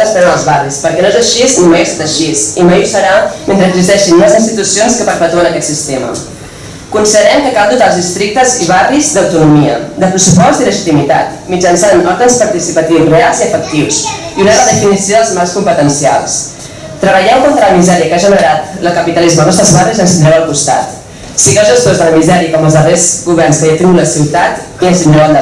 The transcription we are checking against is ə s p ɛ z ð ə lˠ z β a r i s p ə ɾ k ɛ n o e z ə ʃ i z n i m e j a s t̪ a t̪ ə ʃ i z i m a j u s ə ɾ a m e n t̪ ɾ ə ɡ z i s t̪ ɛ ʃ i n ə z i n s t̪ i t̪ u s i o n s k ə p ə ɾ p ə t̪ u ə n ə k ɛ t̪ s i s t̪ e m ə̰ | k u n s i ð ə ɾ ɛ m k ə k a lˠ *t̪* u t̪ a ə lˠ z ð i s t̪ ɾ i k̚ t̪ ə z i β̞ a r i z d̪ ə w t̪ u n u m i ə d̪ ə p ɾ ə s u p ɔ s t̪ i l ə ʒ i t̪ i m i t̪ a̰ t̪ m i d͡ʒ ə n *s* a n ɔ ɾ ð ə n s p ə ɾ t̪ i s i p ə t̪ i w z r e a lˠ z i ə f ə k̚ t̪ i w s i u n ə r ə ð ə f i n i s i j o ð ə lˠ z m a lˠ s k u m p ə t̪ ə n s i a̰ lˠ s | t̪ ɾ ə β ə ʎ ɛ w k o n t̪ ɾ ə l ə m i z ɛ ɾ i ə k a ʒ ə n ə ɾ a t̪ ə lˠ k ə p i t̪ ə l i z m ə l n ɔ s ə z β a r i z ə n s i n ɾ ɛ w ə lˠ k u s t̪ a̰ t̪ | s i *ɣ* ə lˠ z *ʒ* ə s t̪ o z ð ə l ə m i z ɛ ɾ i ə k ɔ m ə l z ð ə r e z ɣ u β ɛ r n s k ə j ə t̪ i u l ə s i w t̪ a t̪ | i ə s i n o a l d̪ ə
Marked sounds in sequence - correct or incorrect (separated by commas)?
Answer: incorrect, correct, correct, correct